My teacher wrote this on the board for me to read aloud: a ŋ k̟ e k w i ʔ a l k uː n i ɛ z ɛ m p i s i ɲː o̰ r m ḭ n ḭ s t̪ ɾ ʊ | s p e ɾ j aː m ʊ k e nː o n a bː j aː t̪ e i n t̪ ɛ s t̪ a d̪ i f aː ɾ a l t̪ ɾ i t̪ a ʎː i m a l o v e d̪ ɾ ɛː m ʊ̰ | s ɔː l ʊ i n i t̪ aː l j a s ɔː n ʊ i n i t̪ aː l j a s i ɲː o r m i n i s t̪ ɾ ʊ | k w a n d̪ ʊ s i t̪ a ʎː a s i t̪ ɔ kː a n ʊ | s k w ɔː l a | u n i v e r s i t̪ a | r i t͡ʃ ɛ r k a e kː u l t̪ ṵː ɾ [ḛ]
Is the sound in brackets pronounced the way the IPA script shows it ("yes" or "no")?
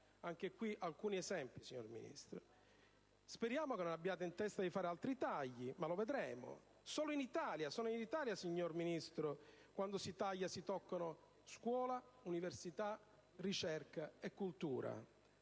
no